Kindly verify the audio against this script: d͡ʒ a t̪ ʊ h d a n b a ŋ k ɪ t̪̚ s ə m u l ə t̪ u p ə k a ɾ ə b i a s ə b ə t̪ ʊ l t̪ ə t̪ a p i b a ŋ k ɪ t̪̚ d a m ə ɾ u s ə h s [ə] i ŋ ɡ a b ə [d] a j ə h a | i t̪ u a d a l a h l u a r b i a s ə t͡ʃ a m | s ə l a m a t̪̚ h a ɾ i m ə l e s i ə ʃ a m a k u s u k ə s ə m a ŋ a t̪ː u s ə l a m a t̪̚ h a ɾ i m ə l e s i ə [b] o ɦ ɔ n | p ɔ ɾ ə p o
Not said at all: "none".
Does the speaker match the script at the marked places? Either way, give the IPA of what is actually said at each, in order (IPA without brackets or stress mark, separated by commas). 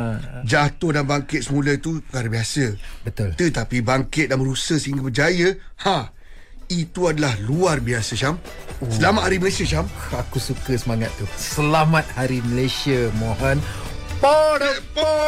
ə, d͡ʒ, m